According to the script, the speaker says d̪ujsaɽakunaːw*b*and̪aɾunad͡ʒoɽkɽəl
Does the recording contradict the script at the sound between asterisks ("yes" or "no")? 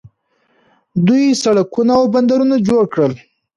no